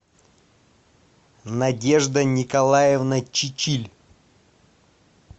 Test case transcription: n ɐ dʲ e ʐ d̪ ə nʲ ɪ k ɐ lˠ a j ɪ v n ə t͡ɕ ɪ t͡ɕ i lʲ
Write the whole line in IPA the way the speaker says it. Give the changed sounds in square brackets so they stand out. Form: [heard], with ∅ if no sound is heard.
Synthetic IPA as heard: n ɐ dʲ e ʐ d̪ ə nʲ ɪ k ɐ lˠ a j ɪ v n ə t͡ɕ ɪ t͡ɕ i lʲ